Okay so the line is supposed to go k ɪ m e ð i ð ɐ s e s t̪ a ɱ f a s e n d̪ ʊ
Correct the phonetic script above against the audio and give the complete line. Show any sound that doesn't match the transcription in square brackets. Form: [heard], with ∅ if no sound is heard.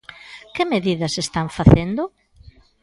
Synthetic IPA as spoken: k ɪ m e ð i ð ɐ s e s t̪ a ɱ f a [θ] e n d̪ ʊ

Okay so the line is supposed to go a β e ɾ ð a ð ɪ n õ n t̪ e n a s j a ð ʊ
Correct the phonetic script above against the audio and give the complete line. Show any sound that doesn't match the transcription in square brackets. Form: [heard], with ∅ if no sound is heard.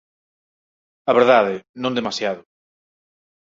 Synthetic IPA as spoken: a β e ɾ ð a ð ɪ n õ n [d̪] e [m] a s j a ð ʊ

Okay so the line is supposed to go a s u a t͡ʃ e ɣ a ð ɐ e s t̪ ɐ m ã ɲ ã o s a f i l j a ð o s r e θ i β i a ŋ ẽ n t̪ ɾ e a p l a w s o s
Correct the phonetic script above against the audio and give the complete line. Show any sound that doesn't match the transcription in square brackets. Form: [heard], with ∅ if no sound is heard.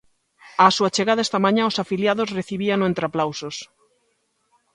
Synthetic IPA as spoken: a s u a t͡ʃ e ɣ a ð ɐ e s t̪ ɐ m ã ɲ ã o s a f i l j a ð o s r e θ i β i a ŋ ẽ n t̪ ɾ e a p l a w s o s

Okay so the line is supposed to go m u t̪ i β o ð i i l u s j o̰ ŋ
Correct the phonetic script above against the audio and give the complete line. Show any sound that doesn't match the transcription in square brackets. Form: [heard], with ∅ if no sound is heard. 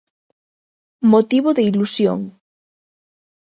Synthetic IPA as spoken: m [o] t̪ i β o ð [e] i l u s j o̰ ŋ

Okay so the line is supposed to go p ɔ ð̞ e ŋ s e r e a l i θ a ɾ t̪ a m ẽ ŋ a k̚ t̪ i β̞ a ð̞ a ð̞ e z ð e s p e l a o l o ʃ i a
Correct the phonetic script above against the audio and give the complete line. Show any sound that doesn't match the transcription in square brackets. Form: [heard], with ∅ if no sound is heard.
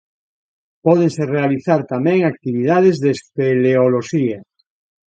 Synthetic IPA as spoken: p ɔ ð̞ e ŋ s e r e a l i θ a ɾ t̪ a m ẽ ŋ a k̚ t̪ i β̞ [i] ð̞ a ð̞ e z ð e s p e l [e] o l o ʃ i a

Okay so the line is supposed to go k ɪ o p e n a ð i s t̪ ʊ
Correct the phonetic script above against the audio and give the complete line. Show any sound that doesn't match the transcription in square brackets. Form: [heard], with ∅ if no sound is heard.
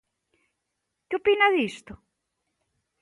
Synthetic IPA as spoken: k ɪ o p [i] n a ð i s t̪ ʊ

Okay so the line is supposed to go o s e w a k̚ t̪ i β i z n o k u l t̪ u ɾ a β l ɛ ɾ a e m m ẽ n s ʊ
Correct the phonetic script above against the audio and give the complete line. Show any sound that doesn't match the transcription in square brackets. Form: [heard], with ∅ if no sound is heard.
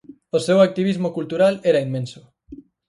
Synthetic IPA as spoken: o s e w a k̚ t̪ i β i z [m] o k u l t̪ u ɾ a [∅] l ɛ ɾ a [i] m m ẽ n s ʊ

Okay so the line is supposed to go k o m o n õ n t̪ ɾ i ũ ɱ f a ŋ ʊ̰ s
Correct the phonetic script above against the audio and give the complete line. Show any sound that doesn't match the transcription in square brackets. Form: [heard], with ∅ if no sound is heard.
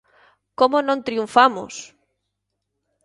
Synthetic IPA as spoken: k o m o n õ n t̪ ɾ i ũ ɱ f a [m] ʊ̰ s

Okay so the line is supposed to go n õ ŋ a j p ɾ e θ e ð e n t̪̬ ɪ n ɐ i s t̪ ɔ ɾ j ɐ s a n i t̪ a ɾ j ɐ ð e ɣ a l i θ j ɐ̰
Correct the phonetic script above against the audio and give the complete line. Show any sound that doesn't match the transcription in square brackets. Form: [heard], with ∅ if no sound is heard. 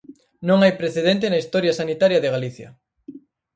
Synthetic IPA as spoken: n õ ŋ a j p ɾ e θ e ð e n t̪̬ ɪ n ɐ i s t̪ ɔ ɾ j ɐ s a n i t̪ a ɾ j ɐ ð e ɣ a l i θ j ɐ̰

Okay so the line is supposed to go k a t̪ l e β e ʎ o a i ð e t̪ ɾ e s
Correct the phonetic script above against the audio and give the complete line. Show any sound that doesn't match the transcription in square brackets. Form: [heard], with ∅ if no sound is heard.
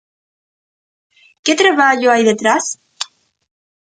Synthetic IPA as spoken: k [e] t̪ [ɾ] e β [a] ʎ o a [j] ð e t̪ ɾ [a] s

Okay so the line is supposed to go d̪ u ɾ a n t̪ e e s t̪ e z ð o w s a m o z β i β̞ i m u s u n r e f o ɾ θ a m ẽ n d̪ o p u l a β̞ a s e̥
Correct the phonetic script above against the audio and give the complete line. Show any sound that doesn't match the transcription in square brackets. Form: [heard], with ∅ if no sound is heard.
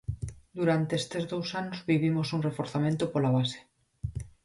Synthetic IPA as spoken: d̪ u ɾ a n t̪ e e s t̪ e z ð o w s a [n] o z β i β̞ i m [o] s u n r e f o ɾ θ a m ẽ n [t̪] o p [o] l a β̞ a s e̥

